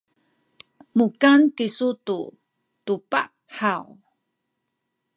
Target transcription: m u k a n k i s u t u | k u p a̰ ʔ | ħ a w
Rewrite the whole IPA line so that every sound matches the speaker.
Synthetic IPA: m u k a n k i s u t u | t u p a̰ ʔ | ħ a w